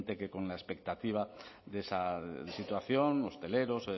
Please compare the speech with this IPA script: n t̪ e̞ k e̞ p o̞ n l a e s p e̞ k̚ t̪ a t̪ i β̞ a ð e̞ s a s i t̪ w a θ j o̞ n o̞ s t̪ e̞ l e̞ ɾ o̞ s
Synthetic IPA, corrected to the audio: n t̪ e̞ k e̞ k o̞ n l a e s p e̞ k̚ t̪ a t̪ i β̞ a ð e̞ s a s i t̪ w a θ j o̞ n o̞ s t̪ e̞ l e̞ ɾ o̞ s